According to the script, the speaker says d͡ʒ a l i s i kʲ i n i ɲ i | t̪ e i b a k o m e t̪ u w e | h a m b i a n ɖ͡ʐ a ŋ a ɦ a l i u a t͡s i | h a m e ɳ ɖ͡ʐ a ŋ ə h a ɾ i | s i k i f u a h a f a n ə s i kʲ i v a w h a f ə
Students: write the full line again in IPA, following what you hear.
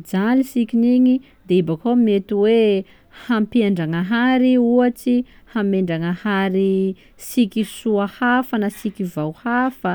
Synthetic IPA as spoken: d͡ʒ a l i s i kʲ i n i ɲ i | d̪ e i b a k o m e t̪ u w e | h a m p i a ɳ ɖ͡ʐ a ŋ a ɦ a ɾ i u a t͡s i | h a m e ɳ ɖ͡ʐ a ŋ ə h a ɾ i | s i k i s u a h a f a n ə s i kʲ i v a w h a f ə